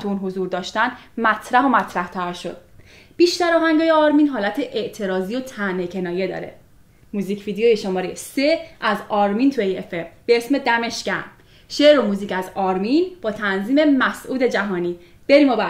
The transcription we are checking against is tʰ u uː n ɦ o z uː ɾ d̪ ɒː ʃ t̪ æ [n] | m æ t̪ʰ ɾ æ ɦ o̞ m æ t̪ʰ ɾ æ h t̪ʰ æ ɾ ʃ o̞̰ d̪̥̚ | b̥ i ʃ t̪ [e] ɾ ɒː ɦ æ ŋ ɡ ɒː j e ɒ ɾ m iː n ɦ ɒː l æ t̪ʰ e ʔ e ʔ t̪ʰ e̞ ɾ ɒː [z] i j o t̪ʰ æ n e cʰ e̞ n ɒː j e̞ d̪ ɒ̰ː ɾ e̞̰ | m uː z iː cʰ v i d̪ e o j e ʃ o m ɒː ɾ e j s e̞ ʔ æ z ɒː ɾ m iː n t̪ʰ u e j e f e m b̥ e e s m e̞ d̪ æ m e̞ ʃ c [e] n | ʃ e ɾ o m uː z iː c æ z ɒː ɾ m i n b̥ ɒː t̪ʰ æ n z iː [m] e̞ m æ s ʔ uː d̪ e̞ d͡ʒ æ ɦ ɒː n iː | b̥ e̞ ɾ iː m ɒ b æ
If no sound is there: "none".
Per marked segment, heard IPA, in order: n, æ, z, æ, m

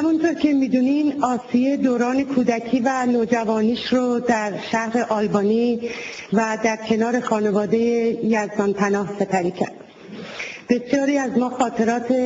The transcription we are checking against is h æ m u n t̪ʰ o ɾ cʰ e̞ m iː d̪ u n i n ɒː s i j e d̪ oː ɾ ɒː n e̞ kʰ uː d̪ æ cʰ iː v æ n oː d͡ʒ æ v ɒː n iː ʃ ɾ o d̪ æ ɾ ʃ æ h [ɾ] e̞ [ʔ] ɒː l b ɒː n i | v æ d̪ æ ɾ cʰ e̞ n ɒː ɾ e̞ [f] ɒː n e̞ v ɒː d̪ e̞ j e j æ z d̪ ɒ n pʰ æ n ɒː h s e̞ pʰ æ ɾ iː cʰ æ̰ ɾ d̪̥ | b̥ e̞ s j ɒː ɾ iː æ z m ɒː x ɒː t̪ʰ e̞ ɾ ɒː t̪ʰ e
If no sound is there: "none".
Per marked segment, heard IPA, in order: ɾ, ʔ, x

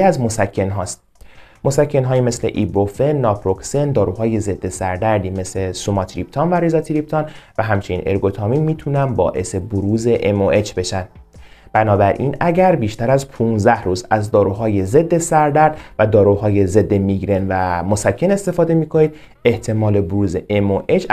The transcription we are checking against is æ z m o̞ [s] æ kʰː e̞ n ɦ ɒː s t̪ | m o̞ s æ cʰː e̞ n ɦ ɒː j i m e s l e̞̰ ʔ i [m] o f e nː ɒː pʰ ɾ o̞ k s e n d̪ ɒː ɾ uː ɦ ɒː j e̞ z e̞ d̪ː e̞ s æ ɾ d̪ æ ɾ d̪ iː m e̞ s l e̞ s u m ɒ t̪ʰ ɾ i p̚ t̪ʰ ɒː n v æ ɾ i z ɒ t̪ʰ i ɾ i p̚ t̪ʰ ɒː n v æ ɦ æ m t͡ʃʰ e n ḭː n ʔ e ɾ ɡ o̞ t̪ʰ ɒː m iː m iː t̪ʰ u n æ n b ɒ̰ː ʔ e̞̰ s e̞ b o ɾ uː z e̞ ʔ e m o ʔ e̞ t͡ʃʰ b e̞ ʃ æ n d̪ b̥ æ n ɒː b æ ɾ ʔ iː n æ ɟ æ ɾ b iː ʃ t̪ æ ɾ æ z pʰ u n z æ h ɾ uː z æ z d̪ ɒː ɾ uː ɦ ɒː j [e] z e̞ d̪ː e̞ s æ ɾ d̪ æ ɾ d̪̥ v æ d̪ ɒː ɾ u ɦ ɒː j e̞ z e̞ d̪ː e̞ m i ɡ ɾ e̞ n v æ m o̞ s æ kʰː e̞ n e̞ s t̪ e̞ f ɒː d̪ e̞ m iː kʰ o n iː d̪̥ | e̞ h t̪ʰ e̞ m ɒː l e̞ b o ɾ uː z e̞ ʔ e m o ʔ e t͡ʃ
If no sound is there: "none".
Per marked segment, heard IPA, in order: s, b, e

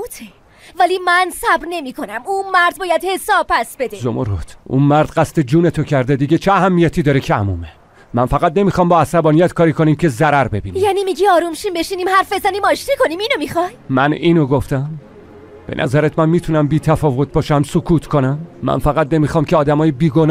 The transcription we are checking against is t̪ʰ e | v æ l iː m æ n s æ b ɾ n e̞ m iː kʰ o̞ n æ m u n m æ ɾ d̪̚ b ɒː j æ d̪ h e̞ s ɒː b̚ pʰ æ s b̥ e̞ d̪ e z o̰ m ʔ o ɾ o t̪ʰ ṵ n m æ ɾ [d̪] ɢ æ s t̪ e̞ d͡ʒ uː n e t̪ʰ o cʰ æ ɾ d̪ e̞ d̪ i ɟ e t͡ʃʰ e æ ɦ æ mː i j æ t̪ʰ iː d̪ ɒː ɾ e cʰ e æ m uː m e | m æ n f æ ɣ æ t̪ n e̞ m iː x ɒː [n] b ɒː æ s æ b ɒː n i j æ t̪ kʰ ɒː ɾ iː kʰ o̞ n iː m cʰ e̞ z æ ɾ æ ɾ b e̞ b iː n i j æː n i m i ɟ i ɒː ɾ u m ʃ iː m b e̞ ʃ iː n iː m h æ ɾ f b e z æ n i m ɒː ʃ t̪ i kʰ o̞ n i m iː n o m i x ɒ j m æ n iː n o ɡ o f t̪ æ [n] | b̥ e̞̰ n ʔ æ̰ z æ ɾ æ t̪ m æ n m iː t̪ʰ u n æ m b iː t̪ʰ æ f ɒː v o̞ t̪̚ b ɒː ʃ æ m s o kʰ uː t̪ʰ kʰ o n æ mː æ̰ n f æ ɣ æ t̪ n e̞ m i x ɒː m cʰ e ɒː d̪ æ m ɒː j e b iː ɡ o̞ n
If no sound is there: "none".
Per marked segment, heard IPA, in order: d̪, m, m

